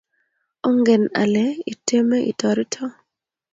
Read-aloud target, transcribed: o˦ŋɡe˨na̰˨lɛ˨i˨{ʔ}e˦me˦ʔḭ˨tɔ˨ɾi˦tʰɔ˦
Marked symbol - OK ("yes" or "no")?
no